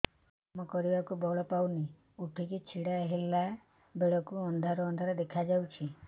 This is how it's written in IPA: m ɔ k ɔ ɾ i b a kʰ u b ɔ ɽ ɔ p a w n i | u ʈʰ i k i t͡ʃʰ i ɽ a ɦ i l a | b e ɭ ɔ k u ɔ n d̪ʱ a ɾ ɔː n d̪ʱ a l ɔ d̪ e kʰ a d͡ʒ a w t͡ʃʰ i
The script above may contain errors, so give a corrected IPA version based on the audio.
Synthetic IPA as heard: m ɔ k ɔ ɾ i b a k u b ɔ ɭ ɔ p a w n i | u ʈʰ i k i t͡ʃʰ i ɽ a ɦ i l a | b e ɭ ɔ k u ɔ n d̪ʱ a ɾ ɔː n d̪ʱ a ɾ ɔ d̪ e kʰ a d͡ʒ a w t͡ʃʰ i